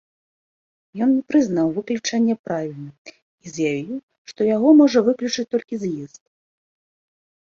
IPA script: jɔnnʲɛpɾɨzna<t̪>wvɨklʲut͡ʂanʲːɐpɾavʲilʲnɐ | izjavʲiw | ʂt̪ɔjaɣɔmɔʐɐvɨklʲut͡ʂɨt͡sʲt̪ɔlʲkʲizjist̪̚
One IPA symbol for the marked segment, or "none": none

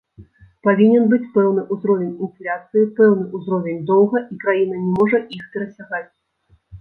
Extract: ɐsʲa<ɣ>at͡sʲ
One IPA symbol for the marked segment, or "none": ɣ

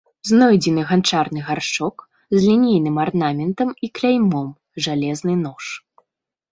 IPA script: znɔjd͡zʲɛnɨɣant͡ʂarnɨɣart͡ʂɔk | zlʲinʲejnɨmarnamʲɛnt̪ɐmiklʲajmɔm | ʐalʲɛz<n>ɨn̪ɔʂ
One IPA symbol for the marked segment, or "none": n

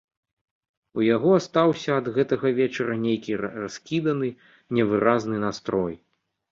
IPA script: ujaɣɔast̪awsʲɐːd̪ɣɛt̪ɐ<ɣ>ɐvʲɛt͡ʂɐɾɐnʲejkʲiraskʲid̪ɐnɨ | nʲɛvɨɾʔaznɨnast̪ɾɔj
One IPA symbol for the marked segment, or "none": ɣ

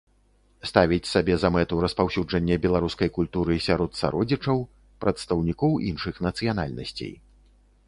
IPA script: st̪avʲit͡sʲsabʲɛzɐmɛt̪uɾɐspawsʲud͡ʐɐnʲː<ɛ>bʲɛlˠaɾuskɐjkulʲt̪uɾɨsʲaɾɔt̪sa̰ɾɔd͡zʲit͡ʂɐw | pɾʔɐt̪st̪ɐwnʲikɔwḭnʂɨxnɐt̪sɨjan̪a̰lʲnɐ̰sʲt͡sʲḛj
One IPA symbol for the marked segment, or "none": ɛ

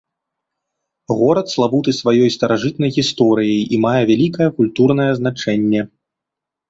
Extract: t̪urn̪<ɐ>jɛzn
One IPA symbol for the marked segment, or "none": ɐ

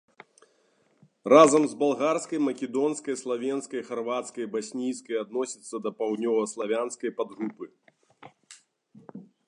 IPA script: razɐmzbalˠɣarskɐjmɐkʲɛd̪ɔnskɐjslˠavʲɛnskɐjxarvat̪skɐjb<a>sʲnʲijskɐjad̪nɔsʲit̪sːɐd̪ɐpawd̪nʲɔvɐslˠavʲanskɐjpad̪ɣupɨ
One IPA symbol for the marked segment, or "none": a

